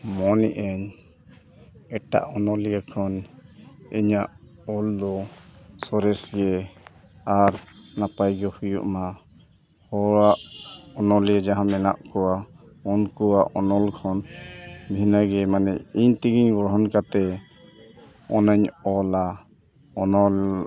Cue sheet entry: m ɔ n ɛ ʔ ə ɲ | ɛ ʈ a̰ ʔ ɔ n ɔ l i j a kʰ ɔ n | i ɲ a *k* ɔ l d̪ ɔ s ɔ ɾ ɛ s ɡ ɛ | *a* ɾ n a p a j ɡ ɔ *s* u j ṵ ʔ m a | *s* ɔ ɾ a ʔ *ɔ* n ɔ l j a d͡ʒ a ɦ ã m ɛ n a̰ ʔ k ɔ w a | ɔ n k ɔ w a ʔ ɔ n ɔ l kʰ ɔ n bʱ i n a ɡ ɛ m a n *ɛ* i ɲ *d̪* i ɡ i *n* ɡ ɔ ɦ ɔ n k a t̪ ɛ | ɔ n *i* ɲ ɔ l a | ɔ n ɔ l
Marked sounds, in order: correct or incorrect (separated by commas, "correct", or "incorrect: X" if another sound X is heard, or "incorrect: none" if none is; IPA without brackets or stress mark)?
incorrect: ʔ, correct, incorrect: h, incorrect: h, correct, correct, incorrect: t̪, incorrect: ɲ, incorrect: a